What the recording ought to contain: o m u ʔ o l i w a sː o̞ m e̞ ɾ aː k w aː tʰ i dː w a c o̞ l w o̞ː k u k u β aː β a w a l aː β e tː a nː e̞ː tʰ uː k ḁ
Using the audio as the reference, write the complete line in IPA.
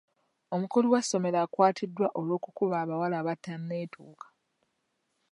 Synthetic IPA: o m u k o l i w a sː o̞ m e̞ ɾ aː k w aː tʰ i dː w a ʔ o̞ l w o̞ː k u k u β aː β a w a l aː β a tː a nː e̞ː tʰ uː k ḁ